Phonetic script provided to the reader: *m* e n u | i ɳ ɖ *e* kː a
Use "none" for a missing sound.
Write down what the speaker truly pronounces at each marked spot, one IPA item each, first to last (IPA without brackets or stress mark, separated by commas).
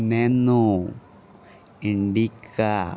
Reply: n, i